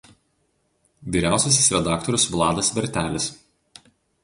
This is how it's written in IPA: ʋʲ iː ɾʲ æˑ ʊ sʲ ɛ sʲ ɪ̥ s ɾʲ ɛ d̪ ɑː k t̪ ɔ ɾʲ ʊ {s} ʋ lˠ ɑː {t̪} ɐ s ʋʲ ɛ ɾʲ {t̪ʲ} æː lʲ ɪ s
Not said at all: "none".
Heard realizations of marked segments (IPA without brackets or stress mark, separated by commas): s, d̪, t̪ʲ